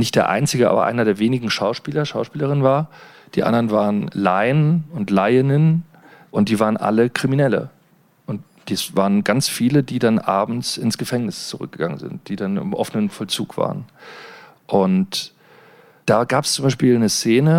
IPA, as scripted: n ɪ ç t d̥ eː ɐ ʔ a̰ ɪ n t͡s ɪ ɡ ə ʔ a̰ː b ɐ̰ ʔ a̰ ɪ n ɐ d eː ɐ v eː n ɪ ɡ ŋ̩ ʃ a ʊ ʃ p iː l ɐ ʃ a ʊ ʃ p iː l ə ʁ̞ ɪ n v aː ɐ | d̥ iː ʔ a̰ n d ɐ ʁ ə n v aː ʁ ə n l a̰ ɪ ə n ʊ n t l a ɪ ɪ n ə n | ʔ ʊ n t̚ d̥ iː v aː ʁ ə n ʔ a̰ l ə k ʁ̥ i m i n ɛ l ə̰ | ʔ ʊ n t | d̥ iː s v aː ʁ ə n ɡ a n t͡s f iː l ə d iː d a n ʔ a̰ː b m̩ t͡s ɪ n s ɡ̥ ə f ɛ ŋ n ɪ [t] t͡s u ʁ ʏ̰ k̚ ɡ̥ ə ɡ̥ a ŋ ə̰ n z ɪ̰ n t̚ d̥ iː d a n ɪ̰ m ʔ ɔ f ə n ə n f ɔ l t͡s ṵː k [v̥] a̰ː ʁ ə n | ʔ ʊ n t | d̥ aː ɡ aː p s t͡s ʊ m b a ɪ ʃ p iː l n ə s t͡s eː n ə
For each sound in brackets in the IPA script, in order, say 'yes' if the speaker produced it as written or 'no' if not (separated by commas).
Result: no, yes